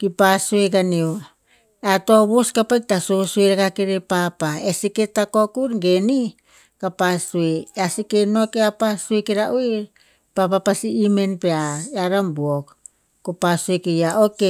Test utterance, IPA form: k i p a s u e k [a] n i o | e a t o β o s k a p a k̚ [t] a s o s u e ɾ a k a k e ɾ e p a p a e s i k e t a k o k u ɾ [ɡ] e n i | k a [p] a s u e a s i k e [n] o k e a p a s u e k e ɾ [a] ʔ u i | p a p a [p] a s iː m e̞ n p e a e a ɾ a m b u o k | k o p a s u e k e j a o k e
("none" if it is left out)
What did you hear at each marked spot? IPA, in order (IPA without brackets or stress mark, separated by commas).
a, t, ɡ, p, n, a, p